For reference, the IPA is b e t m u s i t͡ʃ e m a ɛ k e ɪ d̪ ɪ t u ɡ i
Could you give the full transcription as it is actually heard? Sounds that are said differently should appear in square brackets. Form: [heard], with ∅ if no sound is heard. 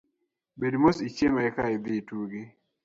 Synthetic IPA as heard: b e [d] m [o] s i t͡ʃ e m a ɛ k [a] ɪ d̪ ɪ t u ɡ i